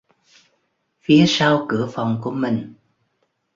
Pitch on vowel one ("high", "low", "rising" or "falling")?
rising